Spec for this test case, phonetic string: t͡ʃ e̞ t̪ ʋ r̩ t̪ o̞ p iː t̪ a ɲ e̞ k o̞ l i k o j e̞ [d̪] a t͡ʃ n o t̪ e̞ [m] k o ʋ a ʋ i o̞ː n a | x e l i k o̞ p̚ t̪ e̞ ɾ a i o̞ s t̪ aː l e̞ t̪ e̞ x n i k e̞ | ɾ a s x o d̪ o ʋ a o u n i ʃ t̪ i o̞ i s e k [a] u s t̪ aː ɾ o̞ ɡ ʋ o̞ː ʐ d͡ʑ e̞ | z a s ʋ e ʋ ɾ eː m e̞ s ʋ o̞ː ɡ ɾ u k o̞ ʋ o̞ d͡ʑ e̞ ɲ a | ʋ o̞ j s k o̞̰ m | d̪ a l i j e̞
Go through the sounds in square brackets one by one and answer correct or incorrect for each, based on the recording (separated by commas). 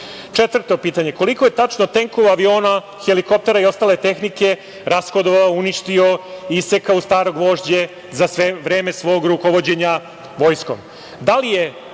incorrect, incorrect, correct